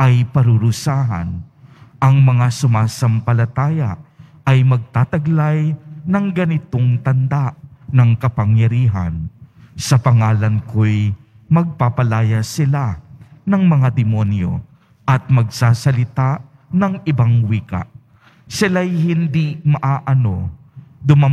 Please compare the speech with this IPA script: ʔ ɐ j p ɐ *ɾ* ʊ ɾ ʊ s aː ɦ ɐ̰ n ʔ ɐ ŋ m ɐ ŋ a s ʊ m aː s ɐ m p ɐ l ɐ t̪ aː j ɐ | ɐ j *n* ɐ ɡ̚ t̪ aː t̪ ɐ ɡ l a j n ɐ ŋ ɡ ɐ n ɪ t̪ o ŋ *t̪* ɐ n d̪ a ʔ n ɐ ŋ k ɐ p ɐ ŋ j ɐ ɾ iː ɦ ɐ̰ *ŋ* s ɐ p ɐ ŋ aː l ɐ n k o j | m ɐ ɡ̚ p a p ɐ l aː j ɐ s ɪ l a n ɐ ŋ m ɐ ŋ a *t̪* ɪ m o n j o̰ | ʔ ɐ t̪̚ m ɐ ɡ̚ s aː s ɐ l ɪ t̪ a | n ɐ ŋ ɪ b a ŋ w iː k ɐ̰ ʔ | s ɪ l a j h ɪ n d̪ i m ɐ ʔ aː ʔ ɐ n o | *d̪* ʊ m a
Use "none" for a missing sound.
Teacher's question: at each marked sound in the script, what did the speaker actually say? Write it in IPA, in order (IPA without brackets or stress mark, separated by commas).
ɾ, m, t̪, n, d̪, d̪